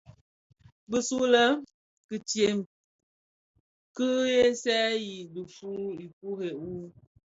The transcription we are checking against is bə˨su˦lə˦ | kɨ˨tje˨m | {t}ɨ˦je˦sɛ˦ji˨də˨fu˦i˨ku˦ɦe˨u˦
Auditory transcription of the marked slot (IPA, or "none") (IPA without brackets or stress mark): k